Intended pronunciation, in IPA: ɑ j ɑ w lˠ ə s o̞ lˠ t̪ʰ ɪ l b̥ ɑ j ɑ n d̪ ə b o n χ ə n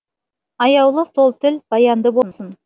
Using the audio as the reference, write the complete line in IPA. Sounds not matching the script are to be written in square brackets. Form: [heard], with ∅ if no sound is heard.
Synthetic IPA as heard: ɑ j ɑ w lˠ ə s o̞ lˠ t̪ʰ ɪ l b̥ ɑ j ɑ n d̪ ə b o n [s] ə n